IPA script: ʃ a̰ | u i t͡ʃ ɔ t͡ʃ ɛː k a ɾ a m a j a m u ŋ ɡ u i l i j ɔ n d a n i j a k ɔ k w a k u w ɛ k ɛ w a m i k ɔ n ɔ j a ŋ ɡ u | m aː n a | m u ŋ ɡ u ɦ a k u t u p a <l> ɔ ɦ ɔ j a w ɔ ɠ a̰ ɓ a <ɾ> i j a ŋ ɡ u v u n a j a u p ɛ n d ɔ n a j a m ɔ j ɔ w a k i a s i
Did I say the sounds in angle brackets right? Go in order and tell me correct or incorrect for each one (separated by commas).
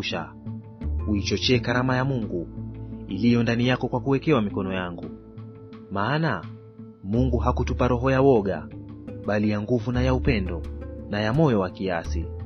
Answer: incorrect, incorrect